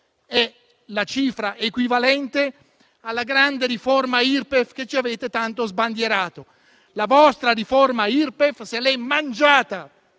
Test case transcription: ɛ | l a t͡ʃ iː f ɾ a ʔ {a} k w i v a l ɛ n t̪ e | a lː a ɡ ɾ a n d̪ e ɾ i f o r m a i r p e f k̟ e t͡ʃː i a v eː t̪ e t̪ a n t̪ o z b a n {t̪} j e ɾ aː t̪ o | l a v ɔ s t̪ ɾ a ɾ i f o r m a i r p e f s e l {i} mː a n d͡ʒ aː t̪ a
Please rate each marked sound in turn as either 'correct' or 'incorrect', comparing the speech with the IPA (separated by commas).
incorrect, incorrect, incorrect